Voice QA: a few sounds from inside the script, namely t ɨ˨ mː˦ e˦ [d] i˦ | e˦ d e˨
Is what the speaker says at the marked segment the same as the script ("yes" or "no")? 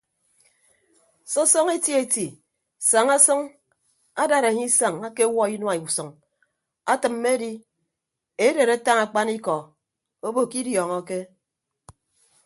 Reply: yes